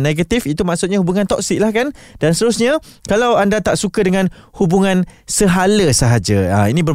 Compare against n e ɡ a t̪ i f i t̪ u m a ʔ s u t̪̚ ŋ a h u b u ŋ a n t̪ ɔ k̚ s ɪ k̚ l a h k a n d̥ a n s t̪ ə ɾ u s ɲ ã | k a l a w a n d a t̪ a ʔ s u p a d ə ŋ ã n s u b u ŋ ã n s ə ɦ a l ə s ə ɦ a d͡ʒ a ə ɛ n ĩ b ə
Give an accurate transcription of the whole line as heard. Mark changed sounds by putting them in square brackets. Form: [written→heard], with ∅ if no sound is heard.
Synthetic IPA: n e ɡ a t̪ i f i t̪ u m a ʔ s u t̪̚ [ŋ→ɲ] a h u b u ŋ a n t̪ ɔ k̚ s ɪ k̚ l a h k a n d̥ a n s t̪ ə ɾ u s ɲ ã | k a l a w a n d a t̪ a ʔ s u [p→k] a d ə ŋ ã n [s→h] u b u ŋ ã n s ə ɦ a l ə s ə ɦ a d͡ʒ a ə [ɛ→i] n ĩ b ə